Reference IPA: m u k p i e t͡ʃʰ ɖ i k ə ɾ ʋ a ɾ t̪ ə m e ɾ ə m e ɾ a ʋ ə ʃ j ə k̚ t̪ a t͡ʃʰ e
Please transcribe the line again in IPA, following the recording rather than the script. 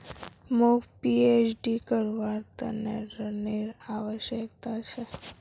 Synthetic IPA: m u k p i e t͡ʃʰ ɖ i k ə ɾ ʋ a ɾ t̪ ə n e ɾ ə n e ɾ a ʋ ə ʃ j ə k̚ t̪ a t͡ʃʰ e